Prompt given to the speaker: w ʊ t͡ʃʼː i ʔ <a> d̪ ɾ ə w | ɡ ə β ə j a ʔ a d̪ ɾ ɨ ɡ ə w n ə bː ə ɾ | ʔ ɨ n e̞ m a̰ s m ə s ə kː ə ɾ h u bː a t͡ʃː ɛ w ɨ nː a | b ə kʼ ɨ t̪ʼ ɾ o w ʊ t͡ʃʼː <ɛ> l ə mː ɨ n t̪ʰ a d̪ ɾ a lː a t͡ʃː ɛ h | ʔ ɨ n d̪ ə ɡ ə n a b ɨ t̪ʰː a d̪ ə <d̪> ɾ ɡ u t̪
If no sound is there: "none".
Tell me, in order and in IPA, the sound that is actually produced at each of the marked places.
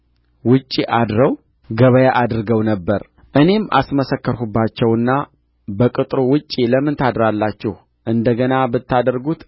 a, i, none

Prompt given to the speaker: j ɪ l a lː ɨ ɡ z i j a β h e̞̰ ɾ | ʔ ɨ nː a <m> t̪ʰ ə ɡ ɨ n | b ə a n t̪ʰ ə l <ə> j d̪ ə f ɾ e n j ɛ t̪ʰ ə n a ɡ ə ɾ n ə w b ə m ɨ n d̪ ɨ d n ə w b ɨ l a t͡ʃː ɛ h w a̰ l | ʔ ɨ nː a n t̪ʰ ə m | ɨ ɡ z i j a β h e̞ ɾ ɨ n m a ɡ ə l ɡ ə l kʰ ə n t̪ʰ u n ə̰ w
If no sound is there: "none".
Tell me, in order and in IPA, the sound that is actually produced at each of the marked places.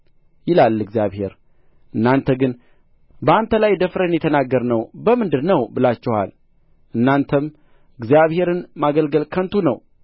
n, a

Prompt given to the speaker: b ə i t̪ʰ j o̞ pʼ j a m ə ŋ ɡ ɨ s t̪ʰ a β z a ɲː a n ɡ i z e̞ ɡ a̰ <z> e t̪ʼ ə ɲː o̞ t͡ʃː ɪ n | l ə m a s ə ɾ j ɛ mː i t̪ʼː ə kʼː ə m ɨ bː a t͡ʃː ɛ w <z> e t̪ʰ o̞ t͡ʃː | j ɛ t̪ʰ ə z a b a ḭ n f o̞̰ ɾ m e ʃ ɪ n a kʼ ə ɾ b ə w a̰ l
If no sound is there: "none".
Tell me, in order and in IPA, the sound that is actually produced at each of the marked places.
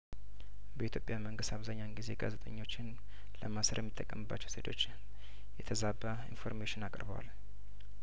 z, s

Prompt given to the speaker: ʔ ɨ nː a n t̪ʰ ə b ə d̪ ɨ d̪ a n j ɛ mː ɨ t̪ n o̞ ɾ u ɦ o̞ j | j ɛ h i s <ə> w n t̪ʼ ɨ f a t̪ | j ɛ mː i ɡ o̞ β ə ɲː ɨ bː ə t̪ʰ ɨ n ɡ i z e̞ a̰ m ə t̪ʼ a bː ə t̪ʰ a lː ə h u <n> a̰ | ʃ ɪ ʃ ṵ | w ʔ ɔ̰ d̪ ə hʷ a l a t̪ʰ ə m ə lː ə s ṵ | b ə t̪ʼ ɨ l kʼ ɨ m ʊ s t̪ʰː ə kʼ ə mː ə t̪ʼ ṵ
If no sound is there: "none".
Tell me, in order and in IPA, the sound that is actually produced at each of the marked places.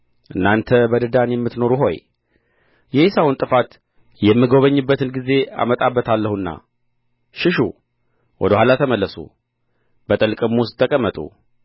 a, nː

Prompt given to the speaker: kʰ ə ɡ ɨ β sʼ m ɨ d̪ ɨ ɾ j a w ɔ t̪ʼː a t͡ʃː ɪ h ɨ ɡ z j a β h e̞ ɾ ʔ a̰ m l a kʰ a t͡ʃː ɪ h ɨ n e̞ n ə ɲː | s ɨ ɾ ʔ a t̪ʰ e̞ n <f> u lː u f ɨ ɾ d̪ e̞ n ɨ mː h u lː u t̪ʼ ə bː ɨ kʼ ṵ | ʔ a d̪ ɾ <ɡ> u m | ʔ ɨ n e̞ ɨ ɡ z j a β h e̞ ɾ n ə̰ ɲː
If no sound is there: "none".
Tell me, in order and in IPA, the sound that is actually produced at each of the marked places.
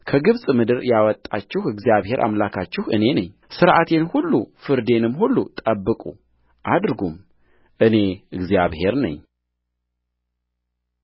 h, ɡ

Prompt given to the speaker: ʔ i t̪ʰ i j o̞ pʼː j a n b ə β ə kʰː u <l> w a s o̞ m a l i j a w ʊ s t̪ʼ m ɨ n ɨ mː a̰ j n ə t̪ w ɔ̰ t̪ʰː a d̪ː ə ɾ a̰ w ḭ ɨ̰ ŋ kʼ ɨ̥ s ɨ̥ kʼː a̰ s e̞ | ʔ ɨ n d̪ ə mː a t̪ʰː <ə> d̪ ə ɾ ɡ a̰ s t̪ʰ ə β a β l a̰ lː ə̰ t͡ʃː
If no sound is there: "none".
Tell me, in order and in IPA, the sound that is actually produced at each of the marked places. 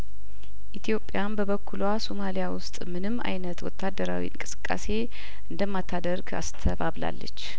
l, a

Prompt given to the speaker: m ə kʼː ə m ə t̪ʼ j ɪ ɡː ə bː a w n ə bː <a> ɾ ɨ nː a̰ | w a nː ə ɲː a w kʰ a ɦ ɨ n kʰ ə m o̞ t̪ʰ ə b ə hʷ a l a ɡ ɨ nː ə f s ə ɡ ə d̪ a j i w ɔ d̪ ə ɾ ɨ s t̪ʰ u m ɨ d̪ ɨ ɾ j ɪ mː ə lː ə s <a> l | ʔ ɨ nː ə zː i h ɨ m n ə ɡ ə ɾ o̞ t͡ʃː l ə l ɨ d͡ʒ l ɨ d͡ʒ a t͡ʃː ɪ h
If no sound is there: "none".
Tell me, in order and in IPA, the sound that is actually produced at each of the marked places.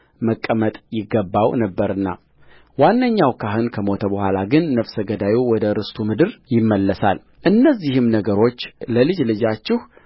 ə, a

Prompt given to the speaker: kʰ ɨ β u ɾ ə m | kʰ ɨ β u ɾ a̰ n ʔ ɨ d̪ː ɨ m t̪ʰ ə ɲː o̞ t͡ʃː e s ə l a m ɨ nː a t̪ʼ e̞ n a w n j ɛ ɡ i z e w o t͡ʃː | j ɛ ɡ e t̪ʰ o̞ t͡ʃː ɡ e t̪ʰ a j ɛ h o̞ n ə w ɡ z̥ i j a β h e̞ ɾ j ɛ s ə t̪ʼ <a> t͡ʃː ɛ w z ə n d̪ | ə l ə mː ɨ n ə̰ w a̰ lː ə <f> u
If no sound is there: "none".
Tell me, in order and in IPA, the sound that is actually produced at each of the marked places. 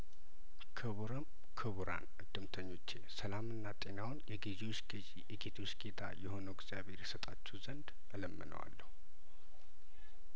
a, h

